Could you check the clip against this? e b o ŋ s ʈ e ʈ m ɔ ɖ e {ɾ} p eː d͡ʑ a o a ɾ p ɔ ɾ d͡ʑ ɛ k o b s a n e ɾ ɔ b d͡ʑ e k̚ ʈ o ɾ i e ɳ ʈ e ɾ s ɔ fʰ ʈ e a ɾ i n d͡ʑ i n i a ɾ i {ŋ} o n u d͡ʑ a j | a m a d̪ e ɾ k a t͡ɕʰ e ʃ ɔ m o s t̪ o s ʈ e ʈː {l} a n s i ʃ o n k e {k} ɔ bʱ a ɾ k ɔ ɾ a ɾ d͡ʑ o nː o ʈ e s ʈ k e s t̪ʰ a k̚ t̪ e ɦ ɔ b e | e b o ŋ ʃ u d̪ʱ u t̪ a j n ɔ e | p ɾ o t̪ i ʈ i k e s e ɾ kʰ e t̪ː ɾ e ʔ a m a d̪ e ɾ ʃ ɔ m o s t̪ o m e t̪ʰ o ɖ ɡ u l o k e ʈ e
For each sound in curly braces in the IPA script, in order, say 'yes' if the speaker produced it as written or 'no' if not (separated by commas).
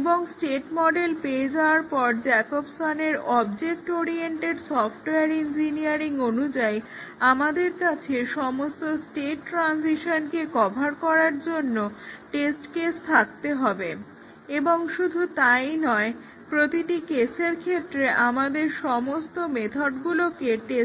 no, yes, no, yes